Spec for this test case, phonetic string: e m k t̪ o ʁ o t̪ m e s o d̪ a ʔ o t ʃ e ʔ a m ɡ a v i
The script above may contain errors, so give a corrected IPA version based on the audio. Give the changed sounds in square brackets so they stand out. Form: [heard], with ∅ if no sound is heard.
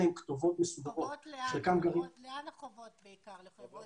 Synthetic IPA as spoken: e m k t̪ o [v] o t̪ m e s [u] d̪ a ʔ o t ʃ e [k] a m ɡ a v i